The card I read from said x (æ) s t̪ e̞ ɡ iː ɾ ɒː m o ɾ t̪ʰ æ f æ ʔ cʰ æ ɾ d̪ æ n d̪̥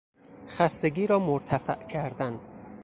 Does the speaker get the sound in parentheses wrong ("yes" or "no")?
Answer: no